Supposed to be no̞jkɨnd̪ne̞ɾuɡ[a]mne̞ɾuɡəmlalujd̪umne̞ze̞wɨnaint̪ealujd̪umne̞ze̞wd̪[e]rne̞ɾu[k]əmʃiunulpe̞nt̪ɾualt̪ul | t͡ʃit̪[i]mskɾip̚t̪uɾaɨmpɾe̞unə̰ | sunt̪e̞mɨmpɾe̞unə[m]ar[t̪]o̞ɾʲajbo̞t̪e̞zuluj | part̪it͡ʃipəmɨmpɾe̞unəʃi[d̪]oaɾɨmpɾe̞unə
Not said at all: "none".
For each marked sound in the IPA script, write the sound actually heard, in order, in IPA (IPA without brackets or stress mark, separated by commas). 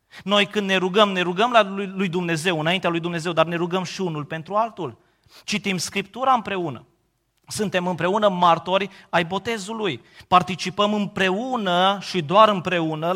ə, a, ɡ, i, m, t̪, d̪